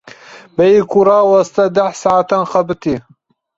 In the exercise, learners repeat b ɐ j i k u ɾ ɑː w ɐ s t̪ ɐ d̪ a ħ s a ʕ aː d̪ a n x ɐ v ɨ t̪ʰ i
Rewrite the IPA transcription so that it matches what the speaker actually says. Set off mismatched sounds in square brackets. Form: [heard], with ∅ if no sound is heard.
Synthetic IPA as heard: b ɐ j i k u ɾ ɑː w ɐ s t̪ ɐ d̪ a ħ s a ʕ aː [t̪] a n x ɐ [b] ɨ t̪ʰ i